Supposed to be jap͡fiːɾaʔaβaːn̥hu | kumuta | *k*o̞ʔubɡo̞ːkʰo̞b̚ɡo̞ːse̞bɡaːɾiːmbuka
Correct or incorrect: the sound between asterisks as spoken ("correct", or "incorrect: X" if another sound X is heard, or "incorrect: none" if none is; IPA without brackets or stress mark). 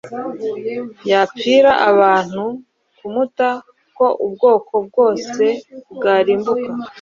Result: correct